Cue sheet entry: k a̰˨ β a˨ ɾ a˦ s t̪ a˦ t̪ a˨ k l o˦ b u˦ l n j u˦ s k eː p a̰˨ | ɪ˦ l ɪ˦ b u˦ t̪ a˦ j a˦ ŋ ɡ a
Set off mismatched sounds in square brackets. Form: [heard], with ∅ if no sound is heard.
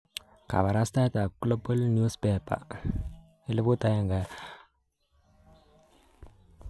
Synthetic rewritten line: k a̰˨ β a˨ ɾ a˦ s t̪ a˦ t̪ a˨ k l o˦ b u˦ l n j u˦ s [p] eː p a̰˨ | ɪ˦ l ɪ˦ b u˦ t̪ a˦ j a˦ ŋ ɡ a